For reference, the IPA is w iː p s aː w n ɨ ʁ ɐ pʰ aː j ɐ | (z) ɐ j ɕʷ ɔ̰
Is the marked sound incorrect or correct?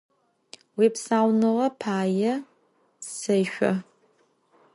incorrect